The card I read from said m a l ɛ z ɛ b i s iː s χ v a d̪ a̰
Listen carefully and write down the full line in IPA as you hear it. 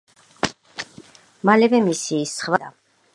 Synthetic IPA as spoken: m a l ɛ v ɛ m i s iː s χ v a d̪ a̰